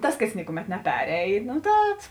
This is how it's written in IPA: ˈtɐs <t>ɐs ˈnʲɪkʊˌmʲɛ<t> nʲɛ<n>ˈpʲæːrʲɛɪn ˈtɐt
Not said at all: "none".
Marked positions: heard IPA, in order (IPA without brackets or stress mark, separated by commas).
k, t, none